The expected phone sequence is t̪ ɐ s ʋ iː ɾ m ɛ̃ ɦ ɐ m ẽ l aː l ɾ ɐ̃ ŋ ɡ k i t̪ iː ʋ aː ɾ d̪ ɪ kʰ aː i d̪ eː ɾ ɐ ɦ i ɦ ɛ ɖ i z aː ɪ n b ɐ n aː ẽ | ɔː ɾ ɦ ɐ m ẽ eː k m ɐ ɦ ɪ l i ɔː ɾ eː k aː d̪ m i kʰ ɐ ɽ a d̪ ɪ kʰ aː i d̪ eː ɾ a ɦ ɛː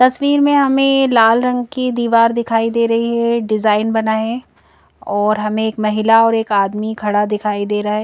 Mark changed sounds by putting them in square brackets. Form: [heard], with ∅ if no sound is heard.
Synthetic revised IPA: t̪ ɐ s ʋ iː ɾ m [ẽ] ɦ ɐ m ẽ l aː l ɾ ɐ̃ ŋ ɡ k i [d̪] iː ʋ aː ɾ d̪ ɪ kʰ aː i d̪ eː ɾ ɐ ɦ i ɦ ɛ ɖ [ɪ] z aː ɪ n b ɐ n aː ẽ | ɔː ɾ ɦ ɐ m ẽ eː k m ɐ ɦ ɪ l [a] ɔː ɾ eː k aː d̪ m i kʰ ɐ ɽ a d̪ ɪ kʰ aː i d̪ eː ɾ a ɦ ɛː